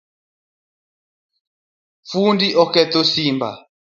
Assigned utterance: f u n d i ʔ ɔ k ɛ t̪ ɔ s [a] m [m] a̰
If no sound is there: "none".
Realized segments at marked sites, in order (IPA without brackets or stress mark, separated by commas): i, b